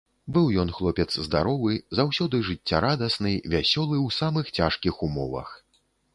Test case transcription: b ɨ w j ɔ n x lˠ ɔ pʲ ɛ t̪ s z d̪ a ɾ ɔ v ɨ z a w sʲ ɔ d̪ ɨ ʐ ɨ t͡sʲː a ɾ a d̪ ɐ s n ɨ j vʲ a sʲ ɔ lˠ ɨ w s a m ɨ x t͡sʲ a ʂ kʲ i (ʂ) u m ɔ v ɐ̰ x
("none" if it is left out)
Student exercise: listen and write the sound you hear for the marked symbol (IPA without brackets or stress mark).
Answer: x